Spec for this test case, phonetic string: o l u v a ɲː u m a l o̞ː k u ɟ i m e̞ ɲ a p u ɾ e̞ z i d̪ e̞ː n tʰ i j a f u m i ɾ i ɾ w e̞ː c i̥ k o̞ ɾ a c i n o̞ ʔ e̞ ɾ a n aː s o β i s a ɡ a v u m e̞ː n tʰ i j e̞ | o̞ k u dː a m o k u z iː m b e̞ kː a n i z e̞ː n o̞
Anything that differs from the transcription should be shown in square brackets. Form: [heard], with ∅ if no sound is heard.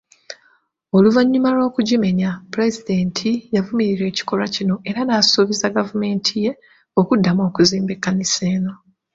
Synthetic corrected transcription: o l u v a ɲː u m a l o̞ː k u ɟ i m e̞ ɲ a p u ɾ e̞ z i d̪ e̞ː n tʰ i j a [v] u m i ɾ i ɾ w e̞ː c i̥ k o̞ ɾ a c i n o̞ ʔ e̞ ɾ a n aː s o β i [z] a ɡ a v u m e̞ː n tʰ i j e̞ | o̞ k u dː a m o k u z iː m b e̞ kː a n i [s] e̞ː n o̞